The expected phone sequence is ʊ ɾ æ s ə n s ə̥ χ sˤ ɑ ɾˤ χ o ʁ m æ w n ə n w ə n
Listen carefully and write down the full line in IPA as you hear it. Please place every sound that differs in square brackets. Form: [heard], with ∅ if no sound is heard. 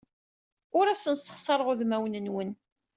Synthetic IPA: ʊ ɾ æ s ə n s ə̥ χ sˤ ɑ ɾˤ [ʁ] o [ð] m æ w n ə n w ə n

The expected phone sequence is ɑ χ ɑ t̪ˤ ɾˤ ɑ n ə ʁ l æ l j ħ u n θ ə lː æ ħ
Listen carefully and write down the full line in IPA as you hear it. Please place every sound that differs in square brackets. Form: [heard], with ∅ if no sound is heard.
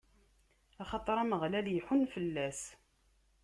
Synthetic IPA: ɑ χ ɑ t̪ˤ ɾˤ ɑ [m] ə ʁ l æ l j ħ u n [f] ə lː æ [s]

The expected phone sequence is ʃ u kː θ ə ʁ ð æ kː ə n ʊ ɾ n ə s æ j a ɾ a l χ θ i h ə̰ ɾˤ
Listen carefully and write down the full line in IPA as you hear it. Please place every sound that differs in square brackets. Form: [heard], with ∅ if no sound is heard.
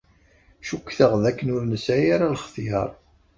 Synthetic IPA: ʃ u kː θ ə ʁ ð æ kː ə n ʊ ɾ n ə s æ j a ɾ a l χ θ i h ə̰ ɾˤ

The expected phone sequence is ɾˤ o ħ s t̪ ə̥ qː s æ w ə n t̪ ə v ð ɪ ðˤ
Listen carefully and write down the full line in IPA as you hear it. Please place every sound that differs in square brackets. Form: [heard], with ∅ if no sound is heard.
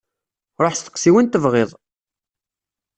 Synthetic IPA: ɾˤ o ħ s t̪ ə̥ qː s [i] w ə n t̪ ə v [ʁ] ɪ ðˤ

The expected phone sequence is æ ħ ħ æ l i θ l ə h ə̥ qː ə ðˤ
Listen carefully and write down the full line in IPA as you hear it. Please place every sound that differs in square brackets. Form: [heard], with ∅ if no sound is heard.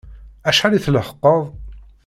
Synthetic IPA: æ [ʃ] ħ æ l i θ l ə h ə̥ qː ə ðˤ

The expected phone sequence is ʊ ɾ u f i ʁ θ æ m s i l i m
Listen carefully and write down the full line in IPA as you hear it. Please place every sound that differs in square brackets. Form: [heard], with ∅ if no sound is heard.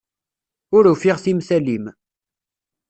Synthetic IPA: ʊ ɾ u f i ʁ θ [i] m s [æ] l i m

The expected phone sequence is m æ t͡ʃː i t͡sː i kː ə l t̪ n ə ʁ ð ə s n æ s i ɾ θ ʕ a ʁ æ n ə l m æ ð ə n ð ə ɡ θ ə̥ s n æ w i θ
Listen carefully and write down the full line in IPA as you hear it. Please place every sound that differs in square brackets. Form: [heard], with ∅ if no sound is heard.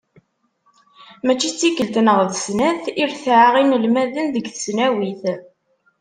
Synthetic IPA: m æ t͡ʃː i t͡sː i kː ə l t̪ n ə ʁ ð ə s n æ [θ] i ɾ θ ʕ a ʁ [i] n ə l m æ ð ə n ð ə ɡ θ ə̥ s n æ w i θ

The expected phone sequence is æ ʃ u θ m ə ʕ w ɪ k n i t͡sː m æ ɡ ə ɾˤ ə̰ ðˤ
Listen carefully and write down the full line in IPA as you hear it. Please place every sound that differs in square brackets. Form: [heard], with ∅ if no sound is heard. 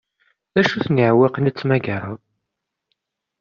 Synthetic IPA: æ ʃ u θ [n] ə ʕ w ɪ [q] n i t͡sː m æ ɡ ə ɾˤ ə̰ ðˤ

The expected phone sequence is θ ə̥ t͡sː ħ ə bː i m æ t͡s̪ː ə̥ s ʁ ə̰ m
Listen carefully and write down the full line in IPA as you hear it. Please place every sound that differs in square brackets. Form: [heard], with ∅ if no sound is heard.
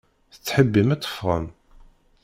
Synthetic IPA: θ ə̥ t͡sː ħ ə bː i m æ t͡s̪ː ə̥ [f] ʁ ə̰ m

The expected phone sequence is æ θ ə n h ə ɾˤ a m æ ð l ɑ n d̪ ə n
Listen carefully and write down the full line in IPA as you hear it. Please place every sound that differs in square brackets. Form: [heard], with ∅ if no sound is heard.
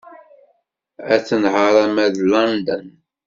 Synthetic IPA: æ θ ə n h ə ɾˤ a m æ ð l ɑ n d̪ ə n

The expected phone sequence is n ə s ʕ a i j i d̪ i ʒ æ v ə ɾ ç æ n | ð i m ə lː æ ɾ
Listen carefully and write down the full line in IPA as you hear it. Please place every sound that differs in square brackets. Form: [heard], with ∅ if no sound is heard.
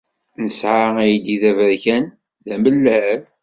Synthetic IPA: n ə s ʕ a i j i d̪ i [ð] æ v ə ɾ ç æ n | ð [æ] m ə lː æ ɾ

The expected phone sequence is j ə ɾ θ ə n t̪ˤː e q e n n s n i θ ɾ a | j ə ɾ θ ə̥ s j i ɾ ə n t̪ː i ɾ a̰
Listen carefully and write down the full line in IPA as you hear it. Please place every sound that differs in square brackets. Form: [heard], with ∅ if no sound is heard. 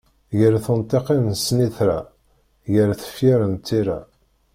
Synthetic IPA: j ə ɾ θ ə n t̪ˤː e q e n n s n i θ ɾ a | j ə ɾ θ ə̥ [f] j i ɾ ə n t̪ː i ɾ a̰

